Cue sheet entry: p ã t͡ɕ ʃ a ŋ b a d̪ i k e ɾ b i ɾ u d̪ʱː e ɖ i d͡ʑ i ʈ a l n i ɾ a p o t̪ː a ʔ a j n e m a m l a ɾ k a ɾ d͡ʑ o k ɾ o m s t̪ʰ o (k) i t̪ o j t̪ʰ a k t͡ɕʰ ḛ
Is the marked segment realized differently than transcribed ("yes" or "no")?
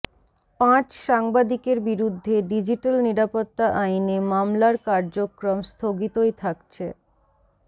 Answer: yes